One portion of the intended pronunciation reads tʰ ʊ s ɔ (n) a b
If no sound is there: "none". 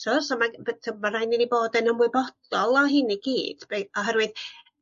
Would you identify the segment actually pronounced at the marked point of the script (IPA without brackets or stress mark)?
m